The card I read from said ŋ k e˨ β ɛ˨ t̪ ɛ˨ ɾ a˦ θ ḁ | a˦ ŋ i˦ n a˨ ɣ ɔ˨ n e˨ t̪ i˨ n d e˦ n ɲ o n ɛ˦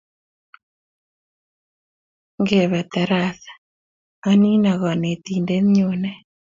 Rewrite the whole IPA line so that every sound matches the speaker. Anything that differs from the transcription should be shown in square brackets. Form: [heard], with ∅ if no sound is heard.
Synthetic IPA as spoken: ŋ [ɡ] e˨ β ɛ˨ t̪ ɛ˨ ɾ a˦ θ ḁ | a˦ [n] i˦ n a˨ ɣ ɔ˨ n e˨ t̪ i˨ n d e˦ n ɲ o n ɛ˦